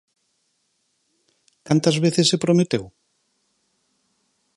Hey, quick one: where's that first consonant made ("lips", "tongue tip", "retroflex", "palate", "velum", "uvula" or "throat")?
velum